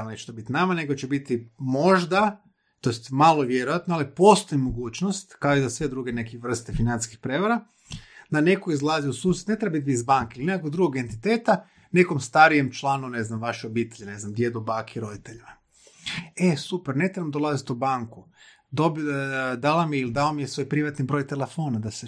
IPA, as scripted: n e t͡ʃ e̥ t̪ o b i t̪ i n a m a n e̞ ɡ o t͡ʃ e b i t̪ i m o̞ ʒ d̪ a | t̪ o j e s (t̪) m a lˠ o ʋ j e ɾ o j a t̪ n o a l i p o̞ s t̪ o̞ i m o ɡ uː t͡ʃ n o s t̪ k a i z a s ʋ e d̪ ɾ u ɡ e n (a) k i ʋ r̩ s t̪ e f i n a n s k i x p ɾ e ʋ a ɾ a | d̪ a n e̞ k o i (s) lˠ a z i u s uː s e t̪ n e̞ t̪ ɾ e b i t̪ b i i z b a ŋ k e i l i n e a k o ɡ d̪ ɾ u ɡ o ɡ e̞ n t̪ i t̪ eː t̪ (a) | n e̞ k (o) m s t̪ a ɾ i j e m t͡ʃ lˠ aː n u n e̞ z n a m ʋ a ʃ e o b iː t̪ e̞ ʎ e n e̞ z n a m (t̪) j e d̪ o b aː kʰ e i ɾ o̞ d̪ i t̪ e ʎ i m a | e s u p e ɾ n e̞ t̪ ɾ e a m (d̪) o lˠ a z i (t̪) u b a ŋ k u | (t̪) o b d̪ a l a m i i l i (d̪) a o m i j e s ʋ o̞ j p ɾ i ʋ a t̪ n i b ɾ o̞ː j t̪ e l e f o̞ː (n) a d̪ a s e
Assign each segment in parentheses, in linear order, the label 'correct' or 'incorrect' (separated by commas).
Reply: correct, incorrect, incorrect, correct, correct, incorrect, correct, correct, incorrect, correct, correct